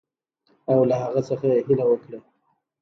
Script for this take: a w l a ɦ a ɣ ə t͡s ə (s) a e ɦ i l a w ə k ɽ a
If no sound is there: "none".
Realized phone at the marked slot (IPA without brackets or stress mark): x